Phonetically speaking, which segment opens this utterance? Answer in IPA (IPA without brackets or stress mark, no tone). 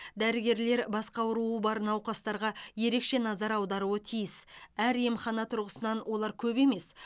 d̪